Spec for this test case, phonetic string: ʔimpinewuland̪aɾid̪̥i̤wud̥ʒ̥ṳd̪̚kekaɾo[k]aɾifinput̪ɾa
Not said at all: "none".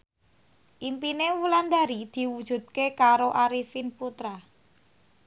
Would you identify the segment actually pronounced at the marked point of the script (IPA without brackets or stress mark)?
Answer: ʔ